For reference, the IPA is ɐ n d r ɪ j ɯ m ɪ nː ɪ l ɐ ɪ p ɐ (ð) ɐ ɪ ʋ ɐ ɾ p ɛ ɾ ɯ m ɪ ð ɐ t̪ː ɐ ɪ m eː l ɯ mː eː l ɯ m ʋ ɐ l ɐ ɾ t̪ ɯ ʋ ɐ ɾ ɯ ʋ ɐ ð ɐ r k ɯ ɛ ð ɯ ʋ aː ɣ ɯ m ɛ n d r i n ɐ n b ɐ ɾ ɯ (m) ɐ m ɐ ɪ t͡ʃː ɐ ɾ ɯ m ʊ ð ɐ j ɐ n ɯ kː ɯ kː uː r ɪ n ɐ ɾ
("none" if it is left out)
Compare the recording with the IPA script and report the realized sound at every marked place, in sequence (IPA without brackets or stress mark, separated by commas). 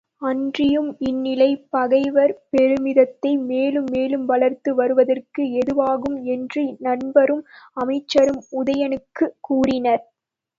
ɣ, m